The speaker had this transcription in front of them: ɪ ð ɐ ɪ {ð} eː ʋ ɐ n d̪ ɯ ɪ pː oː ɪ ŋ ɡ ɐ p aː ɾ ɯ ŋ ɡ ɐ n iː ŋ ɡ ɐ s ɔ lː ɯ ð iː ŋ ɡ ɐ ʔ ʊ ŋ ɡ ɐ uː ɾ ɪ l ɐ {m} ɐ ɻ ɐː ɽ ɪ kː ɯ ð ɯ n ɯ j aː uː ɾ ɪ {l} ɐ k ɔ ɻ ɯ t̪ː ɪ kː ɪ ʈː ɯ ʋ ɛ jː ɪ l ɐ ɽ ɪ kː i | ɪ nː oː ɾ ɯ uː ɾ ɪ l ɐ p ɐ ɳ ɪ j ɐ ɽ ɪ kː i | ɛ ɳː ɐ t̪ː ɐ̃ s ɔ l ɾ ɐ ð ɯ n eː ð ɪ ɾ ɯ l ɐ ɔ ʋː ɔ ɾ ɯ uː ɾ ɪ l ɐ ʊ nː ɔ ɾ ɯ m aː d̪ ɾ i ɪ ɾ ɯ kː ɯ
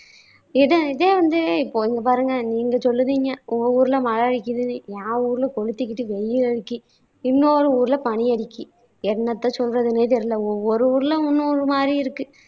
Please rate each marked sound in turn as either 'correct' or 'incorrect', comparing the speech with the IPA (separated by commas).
correct, correct, correct